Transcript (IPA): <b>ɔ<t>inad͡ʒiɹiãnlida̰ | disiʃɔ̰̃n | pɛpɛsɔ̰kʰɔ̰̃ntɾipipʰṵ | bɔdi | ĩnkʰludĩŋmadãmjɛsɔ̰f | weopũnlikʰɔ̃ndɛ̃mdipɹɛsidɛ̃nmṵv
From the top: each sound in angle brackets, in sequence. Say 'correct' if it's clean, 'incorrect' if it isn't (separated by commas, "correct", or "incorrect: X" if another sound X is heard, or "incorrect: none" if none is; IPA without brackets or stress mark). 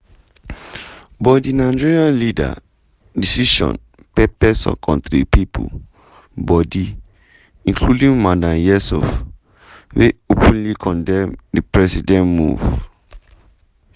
correct, incorrect: d